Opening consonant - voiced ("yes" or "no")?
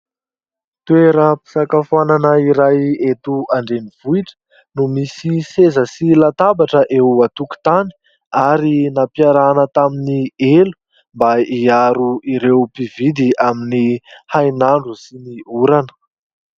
no